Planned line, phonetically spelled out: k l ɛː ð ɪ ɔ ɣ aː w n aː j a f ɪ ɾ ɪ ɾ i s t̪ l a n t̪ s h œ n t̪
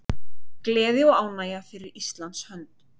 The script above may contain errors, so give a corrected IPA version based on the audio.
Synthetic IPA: k l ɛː ð ɪ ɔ ɣ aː w n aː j a f ɪ ɾ ɪ ɾ i s t̪ l a n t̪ s h œ n t̪

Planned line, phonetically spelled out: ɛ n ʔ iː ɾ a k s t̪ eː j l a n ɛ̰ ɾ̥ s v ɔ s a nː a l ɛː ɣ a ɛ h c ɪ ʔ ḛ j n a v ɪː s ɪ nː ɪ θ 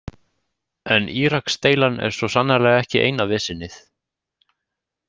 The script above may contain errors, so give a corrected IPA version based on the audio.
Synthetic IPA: ɛ n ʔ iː ɾ a k s t̪ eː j l a n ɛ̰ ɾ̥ s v ɔ s a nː a l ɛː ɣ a ɛ h c ɪ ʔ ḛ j n a v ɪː s ɪ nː ɪ θ

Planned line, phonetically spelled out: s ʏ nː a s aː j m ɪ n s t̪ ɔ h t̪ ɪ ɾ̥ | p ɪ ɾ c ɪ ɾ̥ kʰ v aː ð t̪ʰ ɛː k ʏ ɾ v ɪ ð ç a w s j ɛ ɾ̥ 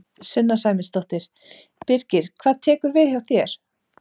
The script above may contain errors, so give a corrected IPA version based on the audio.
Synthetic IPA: s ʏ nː a s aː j m ɪ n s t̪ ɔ h t̪ ɪ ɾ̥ | p ɪ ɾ c ɪ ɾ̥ kʰ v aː ð t̪ʰ ɛː k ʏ ɾ v ɪ ð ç a w θ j ɛ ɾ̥

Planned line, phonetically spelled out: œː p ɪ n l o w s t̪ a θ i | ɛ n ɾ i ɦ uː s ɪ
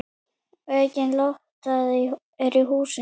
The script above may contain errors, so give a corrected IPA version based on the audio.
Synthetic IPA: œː c ɪ n l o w h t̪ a ð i | ɛ ɾ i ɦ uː s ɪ

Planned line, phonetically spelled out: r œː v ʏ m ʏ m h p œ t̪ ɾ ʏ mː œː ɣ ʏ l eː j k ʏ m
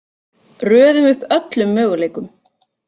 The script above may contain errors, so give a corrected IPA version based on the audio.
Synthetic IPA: r œː ð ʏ m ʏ h p œ t̪ l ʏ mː œː ɣ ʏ l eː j k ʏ m

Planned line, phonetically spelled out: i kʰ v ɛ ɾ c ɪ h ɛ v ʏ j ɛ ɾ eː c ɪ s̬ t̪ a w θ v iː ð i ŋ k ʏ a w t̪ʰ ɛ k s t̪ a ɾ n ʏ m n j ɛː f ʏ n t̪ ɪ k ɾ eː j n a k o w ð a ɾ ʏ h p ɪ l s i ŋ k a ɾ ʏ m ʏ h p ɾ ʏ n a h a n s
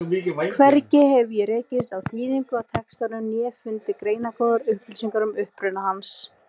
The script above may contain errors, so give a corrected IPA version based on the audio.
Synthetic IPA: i kʰ v ɛ ɾ c ɪ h ɛ v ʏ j ɛ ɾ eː c ɪ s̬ t̪ a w θ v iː ð i ŋ k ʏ a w t̪ʰ ɛ k s t̪ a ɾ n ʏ m n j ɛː f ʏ n t̪ ɪ k ɾ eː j n a k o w ð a ɾ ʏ h p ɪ l s i ŋ k a ɾ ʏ m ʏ h p ɾ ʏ n a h a n s

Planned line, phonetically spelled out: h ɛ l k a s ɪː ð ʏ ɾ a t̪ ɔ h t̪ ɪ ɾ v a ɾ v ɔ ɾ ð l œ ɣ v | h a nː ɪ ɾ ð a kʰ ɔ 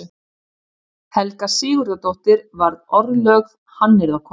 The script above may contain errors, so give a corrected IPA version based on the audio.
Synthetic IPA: h ɛ l k a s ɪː ɣ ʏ ɾ a t̪ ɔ h t̪ ɪ ɾ v a ɾ ð ɔ ɾ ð l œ ɣ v | h a nː ɪ ɾ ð a kʰ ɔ

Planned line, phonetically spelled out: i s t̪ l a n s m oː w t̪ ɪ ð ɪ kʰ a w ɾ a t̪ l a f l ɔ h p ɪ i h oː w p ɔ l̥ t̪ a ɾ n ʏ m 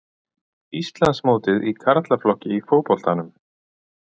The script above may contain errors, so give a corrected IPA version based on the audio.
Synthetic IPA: i s t̪ l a n s m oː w t̪ ɪ ð i kʰ a ɾ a t̪ l a f l ɔ h c ɪ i f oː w p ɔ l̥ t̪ a n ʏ m

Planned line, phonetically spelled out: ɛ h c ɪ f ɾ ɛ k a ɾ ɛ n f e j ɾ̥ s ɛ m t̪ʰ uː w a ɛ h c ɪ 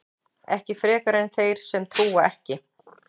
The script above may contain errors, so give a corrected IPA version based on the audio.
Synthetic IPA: ɛ h c ɪ f ɾ ɛː k a ɾ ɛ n θ e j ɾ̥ s ɛ m t̪ʰ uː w a ɛ h c ɪ

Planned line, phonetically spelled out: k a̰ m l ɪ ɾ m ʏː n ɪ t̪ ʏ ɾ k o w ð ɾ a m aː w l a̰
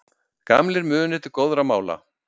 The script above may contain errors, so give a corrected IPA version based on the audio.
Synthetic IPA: k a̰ m l ɪ ɾ m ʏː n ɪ t̪ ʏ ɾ k o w ð ɾ a m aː w l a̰

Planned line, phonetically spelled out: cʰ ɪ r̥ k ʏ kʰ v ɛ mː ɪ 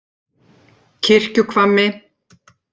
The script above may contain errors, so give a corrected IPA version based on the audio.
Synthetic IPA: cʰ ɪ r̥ c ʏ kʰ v a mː ɪ

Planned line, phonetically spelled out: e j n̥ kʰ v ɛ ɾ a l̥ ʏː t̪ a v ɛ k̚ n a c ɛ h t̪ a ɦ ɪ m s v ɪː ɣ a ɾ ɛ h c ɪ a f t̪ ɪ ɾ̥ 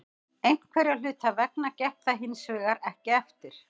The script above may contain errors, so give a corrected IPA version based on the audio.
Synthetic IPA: e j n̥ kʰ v ɛ ɾ a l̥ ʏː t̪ a v ɛ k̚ n a c ɛ h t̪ a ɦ ɪ n s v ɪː ɣ a ɾ ɛ h c ɪ ɛ f t̪ ɪ ɾ̥

